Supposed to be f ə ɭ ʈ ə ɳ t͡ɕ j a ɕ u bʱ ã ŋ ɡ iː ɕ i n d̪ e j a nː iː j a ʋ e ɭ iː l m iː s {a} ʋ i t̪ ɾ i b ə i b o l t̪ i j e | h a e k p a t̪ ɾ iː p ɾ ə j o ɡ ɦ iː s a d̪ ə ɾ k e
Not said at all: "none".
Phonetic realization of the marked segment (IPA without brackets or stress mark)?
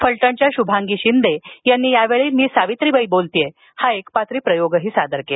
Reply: a